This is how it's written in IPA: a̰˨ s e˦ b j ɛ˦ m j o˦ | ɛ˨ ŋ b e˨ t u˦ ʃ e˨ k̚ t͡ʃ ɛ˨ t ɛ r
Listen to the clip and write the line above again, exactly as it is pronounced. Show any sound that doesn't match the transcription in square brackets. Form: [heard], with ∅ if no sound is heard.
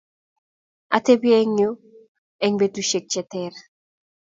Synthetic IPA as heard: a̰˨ [t] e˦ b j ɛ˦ [ŋ] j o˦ | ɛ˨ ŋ b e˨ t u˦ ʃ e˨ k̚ t͡ʃ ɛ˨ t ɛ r